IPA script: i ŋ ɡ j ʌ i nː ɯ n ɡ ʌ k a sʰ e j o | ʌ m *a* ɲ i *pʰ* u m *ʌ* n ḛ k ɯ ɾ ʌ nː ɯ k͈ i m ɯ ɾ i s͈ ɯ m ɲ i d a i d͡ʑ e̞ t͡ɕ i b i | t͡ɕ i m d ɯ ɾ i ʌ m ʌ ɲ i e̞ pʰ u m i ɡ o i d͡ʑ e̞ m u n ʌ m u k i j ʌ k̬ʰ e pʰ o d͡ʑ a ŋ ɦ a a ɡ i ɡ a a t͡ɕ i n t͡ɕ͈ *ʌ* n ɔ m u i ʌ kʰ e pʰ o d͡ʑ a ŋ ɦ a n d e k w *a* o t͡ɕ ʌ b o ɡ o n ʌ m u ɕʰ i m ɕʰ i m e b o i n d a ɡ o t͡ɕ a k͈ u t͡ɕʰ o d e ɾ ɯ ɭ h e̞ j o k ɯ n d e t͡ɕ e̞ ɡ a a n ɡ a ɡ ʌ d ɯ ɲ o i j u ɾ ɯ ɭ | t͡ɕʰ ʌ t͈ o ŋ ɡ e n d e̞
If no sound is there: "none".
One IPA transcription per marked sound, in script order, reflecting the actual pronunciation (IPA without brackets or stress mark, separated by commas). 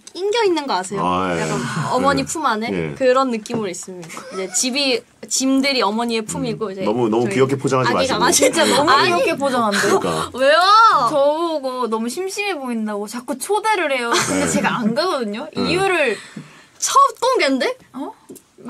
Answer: ʌ, pʰ, a, a, e